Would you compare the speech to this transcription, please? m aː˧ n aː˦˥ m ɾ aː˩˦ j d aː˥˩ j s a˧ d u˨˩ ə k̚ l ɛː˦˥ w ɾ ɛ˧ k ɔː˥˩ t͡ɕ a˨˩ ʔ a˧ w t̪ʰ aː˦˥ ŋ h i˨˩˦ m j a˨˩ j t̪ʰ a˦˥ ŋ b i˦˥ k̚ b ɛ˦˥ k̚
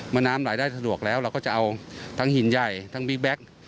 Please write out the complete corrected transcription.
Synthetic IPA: m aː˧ n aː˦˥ m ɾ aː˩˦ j d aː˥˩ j s a˧ d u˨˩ ə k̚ l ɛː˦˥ w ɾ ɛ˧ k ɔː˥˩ t͡ɕ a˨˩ ʔ a˧ w t̪ʰ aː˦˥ ŋ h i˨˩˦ n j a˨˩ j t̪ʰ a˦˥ ŋ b i˦˥ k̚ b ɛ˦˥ k̚